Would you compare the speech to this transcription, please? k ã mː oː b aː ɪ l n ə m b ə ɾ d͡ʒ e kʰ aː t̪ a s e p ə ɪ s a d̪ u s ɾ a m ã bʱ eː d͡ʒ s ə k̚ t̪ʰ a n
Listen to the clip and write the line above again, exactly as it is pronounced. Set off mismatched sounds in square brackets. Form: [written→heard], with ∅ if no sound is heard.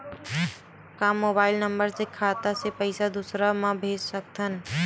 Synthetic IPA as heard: k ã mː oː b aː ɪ l n ə m b ə ɾ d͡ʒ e kʰ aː t̪ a s e p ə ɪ s a d̪ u s ɾ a m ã bʱ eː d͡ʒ s ə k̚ t̪ʰ [a→ə] n